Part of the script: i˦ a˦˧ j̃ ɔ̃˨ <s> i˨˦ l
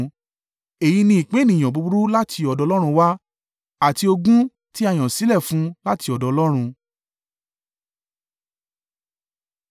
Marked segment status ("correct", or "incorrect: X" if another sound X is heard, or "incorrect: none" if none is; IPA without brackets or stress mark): correct